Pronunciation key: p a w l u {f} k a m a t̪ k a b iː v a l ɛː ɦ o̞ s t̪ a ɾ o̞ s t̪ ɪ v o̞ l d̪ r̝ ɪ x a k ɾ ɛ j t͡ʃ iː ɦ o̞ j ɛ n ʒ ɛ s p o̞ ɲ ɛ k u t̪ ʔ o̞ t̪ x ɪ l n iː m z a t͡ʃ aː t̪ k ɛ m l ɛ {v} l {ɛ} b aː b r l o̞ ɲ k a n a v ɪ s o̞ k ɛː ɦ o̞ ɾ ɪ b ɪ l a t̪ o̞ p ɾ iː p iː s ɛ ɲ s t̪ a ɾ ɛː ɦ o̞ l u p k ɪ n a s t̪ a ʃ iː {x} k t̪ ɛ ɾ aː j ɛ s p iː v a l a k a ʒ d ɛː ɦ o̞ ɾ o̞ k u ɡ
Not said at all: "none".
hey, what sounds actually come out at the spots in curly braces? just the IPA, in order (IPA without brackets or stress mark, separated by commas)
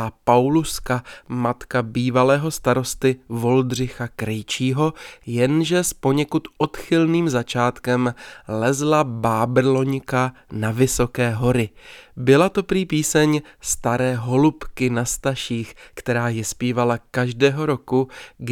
s, z, a, x